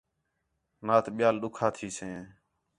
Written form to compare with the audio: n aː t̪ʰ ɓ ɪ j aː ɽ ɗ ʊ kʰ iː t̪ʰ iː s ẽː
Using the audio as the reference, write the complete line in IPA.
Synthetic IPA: n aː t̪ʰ ɓ ɪ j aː l ɗ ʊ kʰ aː t̪ʰ iː s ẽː